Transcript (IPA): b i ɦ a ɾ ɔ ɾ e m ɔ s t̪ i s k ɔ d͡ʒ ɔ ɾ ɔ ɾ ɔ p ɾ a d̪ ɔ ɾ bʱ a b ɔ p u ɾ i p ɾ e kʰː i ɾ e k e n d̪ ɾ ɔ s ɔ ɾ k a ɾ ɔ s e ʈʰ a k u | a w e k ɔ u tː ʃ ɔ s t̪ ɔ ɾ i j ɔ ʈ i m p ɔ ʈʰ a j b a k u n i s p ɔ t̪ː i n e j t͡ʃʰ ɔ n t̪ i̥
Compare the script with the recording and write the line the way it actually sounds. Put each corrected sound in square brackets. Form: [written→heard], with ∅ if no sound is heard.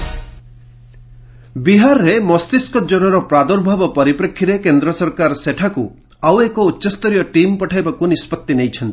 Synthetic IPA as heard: b i ɦ a ɾ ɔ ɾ e m ɔ s t̪ i s k ɔ d͡ʒ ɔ ɾ ɔ ɾ ɔ p ɾ a d̪ ɔ ɾ bʱ a b ɔ p [u→ɔ] ɾ i p ɾ e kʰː i ɾ e k e n d̪ ɾ ɔ s ɔ ɾ k a ɾ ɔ s e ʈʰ a k u | a w e k ɔ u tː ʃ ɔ s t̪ ɔ ɾ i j ɔ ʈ i m p ɔ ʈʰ a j b a k u n i s p ɔ t̪ː i n e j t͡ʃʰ ɔ n t̪ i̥